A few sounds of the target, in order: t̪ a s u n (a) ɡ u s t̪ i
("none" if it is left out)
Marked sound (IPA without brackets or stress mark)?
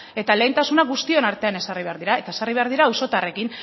a